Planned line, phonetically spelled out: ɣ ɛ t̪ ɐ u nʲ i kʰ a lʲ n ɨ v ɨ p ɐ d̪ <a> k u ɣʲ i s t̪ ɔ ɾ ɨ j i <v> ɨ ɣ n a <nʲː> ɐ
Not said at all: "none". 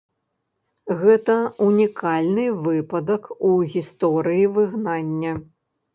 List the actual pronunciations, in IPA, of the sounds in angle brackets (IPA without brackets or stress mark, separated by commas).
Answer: ɐ, v, nʲː